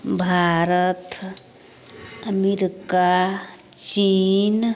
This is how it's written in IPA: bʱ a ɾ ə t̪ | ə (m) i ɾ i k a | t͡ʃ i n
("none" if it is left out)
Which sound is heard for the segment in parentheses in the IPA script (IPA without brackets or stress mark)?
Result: m